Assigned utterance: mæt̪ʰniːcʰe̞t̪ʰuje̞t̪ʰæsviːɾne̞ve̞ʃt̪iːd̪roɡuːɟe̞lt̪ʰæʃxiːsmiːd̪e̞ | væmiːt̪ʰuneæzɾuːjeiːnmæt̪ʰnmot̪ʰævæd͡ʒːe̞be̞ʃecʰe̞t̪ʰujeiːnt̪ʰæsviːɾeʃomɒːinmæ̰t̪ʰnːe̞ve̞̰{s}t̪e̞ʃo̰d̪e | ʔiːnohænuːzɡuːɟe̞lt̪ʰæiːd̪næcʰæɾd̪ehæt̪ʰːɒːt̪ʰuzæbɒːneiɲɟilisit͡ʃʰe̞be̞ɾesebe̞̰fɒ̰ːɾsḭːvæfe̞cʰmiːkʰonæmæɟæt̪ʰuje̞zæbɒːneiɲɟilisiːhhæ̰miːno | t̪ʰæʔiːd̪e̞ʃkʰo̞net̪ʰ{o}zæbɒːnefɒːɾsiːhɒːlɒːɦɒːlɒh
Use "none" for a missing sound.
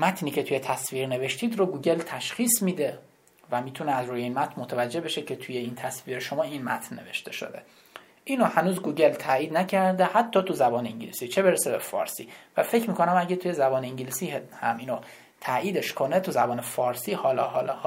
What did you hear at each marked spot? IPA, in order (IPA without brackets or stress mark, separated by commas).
ʃ, u